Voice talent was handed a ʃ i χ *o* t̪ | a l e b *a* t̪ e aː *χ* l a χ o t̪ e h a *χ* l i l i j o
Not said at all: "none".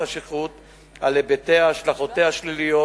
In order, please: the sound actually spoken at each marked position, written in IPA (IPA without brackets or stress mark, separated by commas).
u, e, ʃ, ʃ